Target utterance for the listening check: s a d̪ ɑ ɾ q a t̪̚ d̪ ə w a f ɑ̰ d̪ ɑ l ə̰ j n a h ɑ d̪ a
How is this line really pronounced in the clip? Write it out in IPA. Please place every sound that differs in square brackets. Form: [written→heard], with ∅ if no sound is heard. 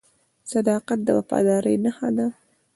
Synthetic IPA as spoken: s a d̪ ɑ [ɾ→∅] q a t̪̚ d̪ ə w a f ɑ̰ d̪ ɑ [l→ɾ] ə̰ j n a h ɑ d̪ a